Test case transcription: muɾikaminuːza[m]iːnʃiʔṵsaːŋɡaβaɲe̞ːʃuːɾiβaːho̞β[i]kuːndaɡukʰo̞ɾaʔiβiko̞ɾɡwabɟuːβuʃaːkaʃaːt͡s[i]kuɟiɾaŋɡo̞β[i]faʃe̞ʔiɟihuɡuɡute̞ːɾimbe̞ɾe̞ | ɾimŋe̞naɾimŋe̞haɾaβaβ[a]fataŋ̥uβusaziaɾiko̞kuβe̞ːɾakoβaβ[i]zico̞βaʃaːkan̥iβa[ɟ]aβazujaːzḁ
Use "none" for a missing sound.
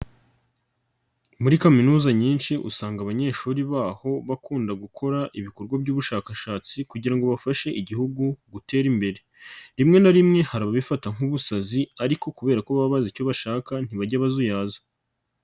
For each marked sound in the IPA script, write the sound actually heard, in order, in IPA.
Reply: ɲ, a, i, a, i, a, ɟ

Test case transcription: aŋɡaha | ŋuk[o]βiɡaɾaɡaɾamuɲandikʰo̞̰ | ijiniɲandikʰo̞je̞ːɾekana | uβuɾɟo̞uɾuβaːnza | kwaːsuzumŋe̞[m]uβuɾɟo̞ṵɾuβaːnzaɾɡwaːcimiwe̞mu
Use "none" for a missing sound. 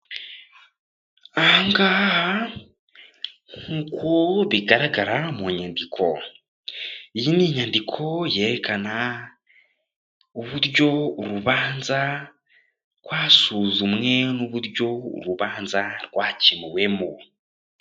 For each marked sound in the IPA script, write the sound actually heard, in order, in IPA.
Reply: o, n

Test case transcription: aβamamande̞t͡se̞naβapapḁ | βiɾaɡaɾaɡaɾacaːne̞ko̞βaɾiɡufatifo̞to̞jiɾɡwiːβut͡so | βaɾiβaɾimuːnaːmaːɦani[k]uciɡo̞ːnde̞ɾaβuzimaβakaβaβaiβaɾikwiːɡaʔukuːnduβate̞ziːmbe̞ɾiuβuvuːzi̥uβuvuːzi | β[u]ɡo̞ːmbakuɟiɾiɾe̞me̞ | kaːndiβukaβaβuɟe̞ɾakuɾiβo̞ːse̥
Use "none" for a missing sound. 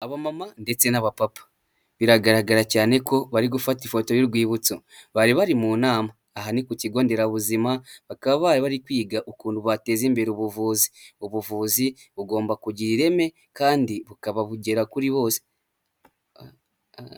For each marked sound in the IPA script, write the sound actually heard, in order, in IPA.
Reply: k, u

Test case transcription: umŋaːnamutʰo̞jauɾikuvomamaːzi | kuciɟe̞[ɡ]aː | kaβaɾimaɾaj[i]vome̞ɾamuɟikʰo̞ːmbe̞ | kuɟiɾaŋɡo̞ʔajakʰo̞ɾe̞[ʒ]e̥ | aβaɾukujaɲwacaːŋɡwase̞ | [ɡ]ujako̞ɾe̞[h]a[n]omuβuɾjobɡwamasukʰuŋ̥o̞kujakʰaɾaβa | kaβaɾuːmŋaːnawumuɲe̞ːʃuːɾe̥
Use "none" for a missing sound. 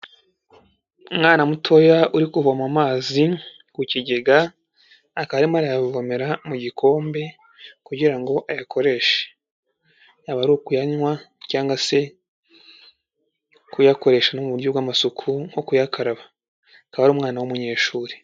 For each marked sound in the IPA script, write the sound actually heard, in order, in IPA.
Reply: ɡ, a, ʃ, k, ʃ, n

